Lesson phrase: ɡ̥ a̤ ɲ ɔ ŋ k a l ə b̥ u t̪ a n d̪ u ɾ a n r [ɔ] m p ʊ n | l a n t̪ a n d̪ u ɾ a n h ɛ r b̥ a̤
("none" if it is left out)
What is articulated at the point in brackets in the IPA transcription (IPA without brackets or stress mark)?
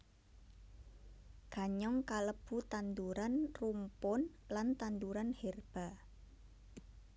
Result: u